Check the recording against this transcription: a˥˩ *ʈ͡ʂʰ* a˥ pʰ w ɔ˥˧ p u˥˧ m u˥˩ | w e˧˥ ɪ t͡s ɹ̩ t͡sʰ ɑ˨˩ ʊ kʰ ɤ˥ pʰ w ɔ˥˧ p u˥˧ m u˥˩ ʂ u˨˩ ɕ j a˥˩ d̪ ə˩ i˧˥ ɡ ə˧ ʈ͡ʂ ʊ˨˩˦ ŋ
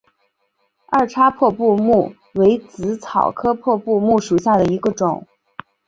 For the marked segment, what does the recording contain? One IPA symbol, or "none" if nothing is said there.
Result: ʈ͡ʂʰ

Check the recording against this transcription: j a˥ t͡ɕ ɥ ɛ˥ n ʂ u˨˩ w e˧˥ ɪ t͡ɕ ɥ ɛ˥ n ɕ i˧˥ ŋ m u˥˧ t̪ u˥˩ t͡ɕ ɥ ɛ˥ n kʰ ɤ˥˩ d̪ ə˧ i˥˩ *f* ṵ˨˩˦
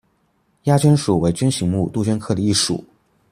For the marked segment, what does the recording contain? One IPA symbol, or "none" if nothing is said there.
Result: ʂ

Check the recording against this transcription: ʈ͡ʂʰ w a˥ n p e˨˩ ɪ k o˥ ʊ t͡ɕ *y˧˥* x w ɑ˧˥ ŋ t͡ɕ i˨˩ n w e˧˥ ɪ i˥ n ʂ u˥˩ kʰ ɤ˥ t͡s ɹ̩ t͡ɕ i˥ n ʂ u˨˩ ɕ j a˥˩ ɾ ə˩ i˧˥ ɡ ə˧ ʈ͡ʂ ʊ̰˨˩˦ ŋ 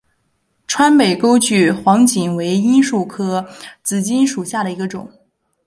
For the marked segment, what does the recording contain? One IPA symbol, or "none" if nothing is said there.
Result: y˥˩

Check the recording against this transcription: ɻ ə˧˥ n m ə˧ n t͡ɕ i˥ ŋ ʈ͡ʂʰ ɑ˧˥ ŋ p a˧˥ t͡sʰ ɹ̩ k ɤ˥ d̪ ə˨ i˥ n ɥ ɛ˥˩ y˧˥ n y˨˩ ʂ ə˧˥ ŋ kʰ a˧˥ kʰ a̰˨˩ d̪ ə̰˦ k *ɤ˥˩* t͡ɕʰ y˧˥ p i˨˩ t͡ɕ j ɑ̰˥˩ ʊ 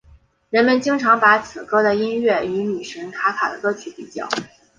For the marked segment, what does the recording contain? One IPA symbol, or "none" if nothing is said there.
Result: ɤ˥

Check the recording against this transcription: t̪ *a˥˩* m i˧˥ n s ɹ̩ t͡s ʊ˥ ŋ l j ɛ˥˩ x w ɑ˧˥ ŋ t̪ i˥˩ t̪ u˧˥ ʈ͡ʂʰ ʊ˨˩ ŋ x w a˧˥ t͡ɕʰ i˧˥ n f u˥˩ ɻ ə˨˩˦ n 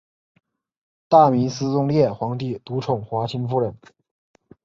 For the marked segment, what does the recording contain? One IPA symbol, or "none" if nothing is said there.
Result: a˥˩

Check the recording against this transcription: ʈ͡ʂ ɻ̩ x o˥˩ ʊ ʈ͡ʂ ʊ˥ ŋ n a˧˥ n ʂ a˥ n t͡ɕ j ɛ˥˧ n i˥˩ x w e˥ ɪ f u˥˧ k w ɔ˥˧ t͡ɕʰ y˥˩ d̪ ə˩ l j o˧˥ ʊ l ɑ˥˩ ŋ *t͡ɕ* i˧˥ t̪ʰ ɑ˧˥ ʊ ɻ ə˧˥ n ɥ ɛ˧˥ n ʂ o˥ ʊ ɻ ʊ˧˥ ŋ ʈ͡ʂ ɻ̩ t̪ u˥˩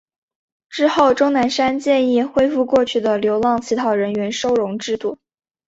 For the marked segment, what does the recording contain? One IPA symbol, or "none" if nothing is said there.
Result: t͡ɕʰ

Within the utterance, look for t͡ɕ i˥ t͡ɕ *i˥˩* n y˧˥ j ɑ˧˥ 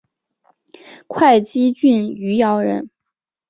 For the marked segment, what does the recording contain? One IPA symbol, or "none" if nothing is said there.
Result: y˥˩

